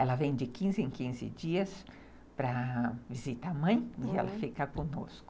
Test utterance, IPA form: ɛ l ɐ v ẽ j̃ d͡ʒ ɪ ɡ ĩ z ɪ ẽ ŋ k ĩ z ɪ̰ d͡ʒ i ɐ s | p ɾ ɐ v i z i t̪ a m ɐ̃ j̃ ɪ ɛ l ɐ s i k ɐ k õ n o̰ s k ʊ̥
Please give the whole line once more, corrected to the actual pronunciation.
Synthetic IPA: ɛ l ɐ v ẽ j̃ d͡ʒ ɪ k ĩ z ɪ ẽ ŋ k ĩ z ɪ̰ d͡ʒ i ɐ s | p ɾ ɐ v i z i t̪ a m ɐ̃ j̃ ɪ ɛ l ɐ f i k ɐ k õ n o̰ s k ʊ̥